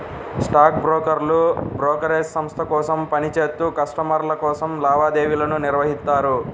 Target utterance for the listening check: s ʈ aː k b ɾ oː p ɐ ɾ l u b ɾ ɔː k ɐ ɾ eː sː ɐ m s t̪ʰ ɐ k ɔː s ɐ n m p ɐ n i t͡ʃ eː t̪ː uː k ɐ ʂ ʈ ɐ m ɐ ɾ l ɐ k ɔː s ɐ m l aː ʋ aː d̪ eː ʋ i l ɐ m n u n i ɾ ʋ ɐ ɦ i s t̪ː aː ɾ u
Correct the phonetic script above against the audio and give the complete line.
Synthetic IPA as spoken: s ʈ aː k b ɾ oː k ɐ ɾ l u b ɾ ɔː k ɐ ɾ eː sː ɐ m s t̪ʰ ɐ k ɔː s ɐ m p ɐ n i t͡ʃ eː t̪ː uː k ɐ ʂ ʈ ɐ m ɐ ɾ l ɐ k ɔː s ɐ m l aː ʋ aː d̪ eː ʋ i l ɐ n u n i ɾ ʋ ɐ ɦ i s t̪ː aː ɾ u